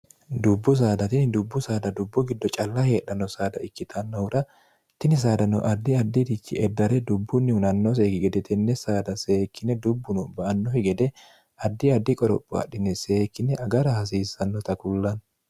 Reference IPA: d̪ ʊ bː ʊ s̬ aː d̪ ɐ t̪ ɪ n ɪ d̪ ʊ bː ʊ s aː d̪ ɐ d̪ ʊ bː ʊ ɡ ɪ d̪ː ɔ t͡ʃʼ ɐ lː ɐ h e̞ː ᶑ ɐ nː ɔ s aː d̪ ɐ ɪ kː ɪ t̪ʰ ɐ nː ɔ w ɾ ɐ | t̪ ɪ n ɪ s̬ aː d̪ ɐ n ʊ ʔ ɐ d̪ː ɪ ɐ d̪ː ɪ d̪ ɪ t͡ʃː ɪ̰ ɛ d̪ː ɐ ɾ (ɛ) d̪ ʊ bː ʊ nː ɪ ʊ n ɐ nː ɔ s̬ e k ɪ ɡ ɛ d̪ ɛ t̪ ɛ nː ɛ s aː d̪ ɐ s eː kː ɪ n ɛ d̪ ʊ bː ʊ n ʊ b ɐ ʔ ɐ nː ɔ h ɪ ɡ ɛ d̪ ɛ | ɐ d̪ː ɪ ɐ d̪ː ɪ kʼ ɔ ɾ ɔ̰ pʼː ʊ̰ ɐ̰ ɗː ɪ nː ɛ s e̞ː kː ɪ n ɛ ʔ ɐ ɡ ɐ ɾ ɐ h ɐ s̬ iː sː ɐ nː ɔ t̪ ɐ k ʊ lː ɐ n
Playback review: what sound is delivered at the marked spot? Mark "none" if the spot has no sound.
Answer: ɛ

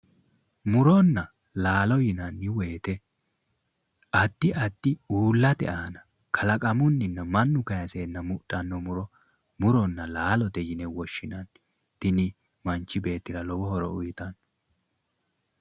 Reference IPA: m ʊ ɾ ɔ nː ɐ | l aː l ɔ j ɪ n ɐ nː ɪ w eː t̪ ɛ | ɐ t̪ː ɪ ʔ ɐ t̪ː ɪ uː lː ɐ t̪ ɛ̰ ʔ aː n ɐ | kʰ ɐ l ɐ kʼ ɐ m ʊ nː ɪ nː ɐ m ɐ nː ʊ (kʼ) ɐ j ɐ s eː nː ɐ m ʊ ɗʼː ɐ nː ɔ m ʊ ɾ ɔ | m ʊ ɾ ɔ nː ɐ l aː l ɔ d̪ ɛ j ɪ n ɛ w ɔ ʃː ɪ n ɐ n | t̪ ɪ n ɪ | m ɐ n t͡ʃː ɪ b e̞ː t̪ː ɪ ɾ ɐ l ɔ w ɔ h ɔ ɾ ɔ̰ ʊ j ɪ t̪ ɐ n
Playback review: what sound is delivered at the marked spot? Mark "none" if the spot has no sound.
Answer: k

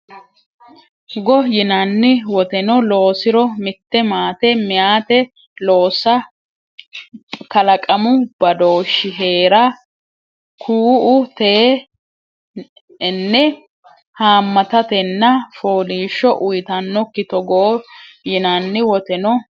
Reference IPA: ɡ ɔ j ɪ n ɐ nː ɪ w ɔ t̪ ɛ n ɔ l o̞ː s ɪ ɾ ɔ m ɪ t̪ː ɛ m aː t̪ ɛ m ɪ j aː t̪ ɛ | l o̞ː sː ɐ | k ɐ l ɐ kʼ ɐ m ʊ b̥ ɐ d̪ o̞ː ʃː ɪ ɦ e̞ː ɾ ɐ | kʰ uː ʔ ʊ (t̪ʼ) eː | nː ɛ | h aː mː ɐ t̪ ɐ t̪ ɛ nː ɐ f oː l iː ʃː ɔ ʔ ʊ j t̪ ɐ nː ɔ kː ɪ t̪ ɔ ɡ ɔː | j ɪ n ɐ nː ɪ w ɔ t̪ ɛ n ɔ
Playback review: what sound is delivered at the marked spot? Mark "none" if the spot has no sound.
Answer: t̪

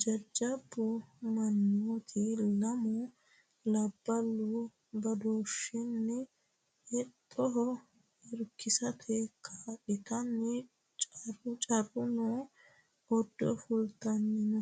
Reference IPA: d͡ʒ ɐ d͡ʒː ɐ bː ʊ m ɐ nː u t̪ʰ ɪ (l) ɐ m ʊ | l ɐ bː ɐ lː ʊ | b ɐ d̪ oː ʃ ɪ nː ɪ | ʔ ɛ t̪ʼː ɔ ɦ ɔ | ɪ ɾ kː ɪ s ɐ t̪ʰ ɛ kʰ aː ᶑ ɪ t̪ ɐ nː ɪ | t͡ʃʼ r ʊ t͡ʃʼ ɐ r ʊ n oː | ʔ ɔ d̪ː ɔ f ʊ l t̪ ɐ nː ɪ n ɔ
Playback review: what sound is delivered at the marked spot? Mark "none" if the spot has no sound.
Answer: l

